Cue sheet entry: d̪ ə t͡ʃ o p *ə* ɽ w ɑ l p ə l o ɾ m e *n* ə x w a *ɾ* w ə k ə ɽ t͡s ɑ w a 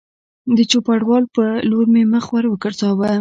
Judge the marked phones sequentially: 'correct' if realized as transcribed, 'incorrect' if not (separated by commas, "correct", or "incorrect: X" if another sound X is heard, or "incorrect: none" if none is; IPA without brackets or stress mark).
incorrect: a, incorrect: m, correct